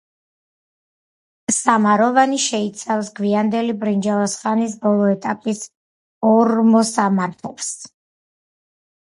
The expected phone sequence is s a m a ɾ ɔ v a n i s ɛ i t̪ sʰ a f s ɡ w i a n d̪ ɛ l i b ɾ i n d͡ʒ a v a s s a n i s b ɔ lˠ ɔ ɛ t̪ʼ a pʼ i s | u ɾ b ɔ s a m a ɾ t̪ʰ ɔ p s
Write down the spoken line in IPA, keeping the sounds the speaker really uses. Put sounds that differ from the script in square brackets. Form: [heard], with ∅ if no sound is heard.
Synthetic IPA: s a m a ɾ ɔ v a n i [ʃ] ɛ i t̪ sʰ a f s ɡ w i a n d̪ ɛ l i b ɾ i n d͡ʒ a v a s [χ] a n i s b ɔ lˠ ɔ ɛ t̪ʼ a pʼ i s | [ɔ] ɾ [m] ɔ s a m a ɾ t̪ʰ ɔ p s